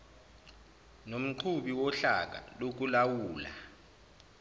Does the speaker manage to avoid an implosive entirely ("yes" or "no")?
no